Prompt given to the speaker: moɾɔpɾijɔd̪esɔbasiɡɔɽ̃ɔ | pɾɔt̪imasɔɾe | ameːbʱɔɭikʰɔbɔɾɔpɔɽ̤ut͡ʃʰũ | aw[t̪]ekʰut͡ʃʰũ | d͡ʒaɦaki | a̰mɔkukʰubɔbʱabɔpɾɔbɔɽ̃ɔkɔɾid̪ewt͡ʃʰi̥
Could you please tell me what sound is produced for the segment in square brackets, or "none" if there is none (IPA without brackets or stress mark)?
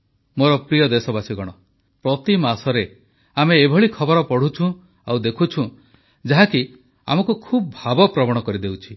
d̪